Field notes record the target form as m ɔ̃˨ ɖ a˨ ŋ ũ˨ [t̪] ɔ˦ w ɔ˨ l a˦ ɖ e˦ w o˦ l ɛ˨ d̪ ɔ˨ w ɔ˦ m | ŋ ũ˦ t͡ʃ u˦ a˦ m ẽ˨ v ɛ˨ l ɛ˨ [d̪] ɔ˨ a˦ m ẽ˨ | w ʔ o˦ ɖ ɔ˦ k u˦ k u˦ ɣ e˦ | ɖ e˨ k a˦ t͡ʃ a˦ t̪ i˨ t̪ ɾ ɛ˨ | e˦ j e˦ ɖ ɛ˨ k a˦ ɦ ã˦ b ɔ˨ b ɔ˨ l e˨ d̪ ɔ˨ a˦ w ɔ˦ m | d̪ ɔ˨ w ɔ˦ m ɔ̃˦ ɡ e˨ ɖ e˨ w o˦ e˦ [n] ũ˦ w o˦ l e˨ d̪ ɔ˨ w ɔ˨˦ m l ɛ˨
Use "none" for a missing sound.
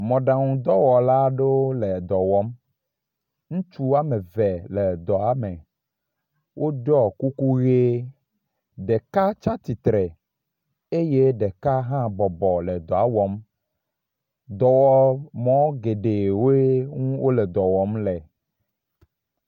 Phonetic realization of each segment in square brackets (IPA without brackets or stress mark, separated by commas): d̪, d̪, ŋ